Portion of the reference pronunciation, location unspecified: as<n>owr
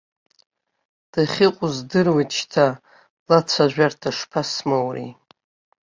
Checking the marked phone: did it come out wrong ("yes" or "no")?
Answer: yes